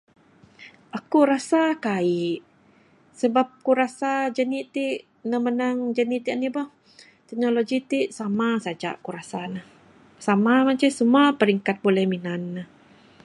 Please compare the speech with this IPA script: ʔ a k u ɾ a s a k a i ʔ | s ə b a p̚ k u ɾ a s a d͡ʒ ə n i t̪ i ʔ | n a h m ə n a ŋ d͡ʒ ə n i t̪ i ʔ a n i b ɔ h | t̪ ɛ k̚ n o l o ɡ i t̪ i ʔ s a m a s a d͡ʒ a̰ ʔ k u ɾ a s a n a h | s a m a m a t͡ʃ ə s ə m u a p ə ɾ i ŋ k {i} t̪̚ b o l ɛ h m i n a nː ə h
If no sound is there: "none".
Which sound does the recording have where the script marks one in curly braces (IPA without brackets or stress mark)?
a